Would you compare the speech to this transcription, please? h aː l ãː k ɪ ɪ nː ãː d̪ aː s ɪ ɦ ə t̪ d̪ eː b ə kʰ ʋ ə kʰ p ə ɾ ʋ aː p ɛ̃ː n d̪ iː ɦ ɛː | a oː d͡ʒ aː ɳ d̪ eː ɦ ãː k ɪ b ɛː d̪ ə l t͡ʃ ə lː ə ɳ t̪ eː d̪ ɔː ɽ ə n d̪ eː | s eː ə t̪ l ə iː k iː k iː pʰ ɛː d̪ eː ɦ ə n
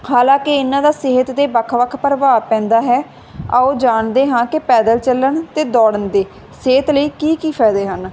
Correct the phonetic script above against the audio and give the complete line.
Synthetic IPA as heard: h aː l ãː k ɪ ɪ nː ãː d̪ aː s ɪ ɦ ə t̪ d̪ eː b ə kʰ ʋ ə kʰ p ə ɾ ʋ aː p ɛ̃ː n d̪ aː ɦ ɛː | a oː d͡ʒ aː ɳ d̪ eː ɦ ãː k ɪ p ɛː d̪ ə l t͡ʃ ə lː ə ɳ t̪ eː d̪ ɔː ɽ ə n d̪ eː | s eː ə t̪ l ə iː k iː k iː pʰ ɛː d̪ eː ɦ ə n